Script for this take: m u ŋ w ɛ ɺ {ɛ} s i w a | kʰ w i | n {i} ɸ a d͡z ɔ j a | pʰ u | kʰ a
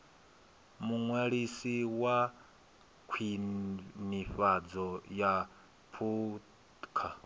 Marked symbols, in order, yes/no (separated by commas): no, yes